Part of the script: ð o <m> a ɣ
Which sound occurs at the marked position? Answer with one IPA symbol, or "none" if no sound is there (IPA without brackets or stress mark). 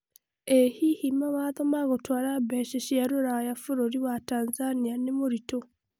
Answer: m